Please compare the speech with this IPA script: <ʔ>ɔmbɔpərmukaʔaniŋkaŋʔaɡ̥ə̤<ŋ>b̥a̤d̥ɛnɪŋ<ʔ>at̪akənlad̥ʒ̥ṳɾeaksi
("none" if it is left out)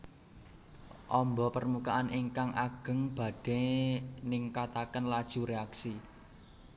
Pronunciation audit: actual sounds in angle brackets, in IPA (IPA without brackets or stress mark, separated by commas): ʔ, ŋ, k